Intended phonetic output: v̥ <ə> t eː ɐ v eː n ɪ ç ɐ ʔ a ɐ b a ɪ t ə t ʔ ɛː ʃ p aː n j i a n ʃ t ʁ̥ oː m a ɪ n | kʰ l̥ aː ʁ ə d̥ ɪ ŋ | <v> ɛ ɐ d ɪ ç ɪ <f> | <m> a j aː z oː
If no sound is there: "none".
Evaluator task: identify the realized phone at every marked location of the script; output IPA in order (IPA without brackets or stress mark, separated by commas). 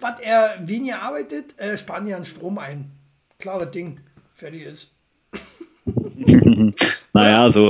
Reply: a, f, s, n